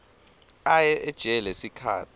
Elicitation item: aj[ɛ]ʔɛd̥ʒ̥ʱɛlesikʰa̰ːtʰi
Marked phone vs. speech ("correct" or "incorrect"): correct